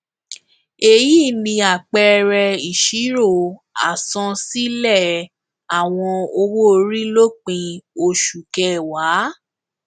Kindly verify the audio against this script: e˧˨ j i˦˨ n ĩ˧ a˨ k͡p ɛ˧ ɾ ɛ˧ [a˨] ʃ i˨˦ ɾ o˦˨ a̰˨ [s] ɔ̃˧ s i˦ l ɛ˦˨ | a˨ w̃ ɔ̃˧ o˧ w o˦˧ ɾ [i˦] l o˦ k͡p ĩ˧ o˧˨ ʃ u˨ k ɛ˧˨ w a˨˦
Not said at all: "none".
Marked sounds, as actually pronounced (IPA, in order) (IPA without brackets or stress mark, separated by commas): i˨, s, i˦